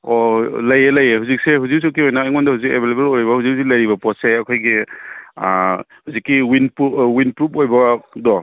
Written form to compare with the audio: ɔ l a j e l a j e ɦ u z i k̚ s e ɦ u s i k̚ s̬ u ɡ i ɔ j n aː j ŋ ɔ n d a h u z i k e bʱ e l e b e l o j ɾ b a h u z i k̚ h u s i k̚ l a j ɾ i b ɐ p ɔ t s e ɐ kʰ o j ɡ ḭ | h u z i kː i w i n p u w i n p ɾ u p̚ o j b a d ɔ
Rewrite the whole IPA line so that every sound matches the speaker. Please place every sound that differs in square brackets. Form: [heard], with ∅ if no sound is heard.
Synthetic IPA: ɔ l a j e l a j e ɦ u z i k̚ s e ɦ u [z] i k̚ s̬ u [k] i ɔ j n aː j ŋ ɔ n d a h u z i k e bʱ e l e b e l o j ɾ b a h u z i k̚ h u [z] i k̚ l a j ɾ i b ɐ p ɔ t s e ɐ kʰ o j ɡ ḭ | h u z i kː i w i n p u w i n p ɾ u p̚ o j b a d ɔ